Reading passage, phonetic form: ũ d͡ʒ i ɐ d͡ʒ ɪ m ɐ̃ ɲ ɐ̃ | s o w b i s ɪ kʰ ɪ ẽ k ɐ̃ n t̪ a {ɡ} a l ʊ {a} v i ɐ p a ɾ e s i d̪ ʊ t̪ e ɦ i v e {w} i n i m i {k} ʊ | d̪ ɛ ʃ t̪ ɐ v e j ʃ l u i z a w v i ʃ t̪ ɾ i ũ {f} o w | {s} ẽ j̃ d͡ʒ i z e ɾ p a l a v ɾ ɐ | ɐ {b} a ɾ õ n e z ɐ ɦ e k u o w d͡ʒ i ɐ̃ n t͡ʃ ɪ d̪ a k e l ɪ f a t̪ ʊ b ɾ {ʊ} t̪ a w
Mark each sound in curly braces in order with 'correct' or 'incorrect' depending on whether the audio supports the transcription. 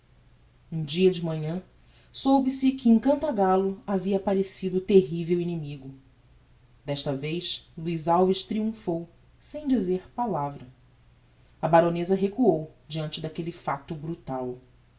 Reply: correct, correct, correct, incorrect: ɡ, correct, correct, correct, incorrect: u

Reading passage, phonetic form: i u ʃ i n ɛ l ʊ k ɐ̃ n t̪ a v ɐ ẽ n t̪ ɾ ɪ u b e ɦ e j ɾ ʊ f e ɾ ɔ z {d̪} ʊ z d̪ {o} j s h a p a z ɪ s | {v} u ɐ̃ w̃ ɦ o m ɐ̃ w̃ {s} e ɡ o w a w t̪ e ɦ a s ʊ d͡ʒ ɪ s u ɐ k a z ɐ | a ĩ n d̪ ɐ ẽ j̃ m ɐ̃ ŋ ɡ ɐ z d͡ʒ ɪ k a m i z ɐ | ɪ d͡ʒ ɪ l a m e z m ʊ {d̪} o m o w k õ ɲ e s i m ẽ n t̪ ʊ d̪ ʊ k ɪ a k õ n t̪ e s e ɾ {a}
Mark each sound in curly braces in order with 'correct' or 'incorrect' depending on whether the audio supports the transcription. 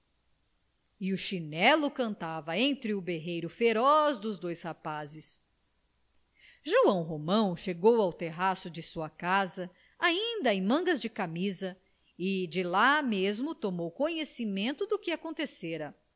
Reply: correct, correct, incorrect: ʒ, incorrect: ʃ, incorrect: t̪, incorrect: ɐ

